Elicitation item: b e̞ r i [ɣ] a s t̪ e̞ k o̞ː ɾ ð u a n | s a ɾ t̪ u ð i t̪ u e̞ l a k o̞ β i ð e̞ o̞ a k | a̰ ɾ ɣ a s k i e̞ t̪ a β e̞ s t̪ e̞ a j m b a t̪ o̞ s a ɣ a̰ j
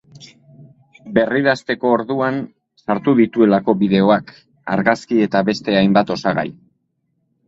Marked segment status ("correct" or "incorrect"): incorrect